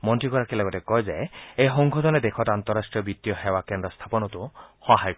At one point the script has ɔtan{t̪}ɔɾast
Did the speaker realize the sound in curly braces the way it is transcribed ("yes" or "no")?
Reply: yes